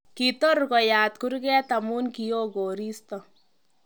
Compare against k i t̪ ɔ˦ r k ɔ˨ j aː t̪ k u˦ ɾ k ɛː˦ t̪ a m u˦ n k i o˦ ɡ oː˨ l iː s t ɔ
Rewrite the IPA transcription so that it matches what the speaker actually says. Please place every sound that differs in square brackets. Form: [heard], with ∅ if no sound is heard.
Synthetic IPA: k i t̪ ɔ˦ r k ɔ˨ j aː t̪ k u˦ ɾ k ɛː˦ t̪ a m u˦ n k i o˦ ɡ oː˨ [ɾ] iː s t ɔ